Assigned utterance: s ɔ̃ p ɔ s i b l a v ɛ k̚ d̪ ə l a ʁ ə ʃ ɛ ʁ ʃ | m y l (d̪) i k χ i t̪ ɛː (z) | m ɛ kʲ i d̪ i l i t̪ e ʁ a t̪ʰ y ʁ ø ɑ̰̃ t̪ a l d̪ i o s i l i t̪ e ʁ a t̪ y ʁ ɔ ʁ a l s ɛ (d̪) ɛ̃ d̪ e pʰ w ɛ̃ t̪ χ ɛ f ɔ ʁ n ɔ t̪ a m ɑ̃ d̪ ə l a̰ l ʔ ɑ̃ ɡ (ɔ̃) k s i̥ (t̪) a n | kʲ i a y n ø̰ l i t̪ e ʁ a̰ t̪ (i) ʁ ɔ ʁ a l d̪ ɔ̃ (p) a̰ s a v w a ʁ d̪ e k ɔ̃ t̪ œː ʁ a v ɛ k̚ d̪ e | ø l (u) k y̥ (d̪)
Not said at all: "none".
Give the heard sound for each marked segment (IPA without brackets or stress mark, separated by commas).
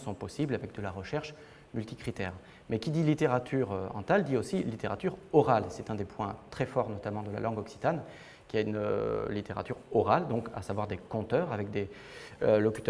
t̪, ʁ, t̪, ɔ, t̪, y, k, ɔ, t̪